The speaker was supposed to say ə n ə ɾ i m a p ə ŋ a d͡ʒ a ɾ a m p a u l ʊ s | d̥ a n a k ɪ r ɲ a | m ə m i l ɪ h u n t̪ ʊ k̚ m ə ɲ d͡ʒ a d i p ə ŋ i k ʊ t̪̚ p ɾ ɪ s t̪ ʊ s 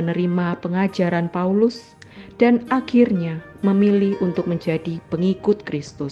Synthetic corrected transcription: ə n ə ɾ i m a p ə ŋ a d͡ʒ a ɾ a n p a u l ʊ s | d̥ a n a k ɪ r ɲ a | m ə m i l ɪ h u n t̪ ʊ k̚ m ə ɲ d͡ʒ a d i p ə ŋ i k ʊ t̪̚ k ɾ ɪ s t̪ ʊ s